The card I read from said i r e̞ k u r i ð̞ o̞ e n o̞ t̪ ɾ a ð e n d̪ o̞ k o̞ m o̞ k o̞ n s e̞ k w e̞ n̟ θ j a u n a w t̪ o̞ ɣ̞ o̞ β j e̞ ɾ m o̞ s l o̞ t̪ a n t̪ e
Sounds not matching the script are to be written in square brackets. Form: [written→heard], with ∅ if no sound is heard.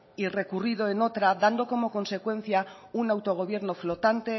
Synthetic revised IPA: i r e̞ k u r i ð̞ o̞ e n o̞ t̪ ɾ a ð [e→a] n d̪ o̞ k o̞ m o̞ k o̞ n s e̞ k w e̞ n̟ θ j a u n a w t̪ o̞ ɣ̞ o̞ β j e̞ ɾ [m→n] o̞ [s→f] l o̞ t̪ a n t̪ e